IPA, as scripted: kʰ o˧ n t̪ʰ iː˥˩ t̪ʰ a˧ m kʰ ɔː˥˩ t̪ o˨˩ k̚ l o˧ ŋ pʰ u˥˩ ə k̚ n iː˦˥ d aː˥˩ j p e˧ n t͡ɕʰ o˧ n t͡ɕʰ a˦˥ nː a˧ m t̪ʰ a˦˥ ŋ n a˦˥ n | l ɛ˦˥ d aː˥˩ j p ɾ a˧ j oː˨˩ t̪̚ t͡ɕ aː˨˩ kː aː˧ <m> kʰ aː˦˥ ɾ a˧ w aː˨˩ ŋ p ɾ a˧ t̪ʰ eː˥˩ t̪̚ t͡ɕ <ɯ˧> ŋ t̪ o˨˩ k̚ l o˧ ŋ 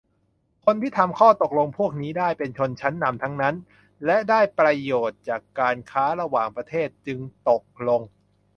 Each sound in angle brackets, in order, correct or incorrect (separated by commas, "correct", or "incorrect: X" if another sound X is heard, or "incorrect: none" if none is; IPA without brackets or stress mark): incorrect: n, correct